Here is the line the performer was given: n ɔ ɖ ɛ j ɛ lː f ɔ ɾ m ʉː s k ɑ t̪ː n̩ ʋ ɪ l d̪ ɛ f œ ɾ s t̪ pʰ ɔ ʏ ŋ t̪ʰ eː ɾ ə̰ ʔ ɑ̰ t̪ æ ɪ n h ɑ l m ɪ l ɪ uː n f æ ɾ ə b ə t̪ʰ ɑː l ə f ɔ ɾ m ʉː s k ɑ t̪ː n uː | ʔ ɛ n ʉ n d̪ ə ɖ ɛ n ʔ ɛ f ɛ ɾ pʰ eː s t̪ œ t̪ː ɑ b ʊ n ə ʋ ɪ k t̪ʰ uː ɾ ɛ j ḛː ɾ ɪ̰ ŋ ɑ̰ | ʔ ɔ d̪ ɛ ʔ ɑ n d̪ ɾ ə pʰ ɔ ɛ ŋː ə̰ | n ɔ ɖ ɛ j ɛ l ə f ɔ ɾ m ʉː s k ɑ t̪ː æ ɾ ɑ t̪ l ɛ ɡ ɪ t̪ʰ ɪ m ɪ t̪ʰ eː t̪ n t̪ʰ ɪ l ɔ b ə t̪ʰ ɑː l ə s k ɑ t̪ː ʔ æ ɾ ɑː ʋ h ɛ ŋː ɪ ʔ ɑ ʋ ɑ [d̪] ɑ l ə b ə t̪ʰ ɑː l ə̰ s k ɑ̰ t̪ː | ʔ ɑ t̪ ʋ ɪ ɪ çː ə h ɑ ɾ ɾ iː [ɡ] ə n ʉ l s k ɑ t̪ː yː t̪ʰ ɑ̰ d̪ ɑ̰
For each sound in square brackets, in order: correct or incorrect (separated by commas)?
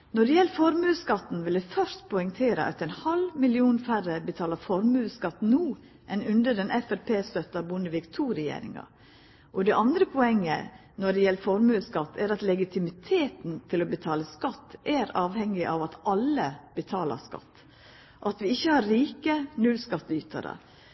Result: incorrect, incorrect